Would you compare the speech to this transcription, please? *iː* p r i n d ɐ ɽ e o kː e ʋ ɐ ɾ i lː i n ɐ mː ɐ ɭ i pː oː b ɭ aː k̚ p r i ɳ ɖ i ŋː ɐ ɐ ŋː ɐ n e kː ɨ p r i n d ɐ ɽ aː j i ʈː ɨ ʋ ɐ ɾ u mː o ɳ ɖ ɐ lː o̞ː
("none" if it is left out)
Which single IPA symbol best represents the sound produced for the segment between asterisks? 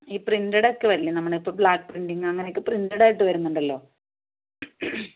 iː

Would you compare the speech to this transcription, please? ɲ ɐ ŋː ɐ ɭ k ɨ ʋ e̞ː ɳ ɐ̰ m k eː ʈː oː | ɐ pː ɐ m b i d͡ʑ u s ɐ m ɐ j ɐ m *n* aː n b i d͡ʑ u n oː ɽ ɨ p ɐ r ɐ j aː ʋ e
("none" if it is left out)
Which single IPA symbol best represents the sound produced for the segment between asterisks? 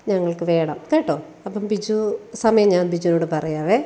ɲ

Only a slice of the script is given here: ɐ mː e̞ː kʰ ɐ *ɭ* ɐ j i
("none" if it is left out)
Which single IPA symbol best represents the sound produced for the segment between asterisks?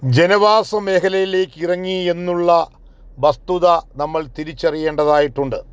l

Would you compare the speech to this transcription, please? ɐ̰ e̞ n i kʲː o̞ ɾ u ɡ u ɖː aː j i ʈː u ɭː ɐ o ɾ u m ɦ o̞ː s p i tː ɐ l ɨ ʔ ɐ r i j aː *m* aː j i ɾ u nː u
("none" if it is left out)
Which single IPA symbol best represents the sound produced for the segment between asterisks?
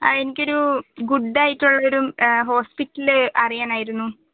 n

